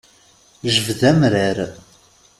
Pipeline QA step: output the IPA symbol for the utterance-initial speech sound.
ʒ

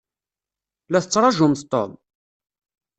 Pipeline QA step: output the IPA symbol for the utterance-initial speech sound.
l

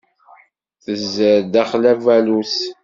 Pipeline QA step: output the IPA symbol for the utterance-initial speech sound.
θ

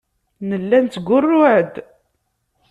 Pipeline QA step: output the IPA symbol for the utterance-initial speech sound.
n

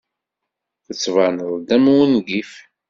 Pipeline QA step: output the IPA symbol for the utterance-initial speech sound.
θ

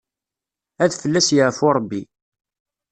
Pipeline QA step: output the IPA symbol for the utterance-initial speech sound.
æ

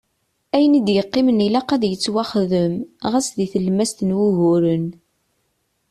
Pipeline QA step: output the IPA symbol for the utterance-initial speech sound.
æ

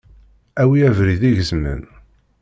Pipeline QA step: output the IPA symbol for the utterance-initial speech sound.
æ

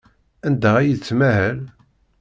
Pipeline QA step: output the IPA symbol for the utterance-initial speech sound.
æ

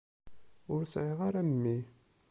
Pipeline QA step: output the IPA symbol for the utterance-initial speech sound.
ʊ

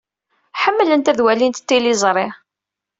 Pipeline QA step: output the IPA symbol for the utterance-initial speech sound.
ħ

